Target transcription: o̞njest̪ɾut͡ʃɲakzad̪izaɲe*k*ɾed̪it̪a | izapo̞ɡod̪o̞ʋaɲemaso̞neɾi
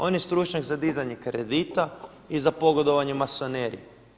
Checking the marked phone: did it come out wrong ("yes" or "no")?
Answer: no